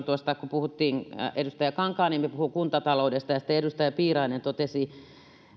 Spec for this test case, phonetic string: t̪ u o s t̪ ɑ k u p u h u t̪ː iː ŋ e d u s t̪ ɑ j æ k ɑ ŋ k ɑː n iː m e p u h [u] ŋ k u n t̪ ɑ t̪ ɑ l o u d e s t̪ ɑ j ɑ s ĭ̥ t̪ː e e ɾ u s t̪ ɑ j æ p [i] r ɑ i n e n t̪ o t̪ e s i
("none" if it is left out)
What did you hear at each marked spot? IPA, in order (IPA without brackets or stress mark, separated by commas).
u, iː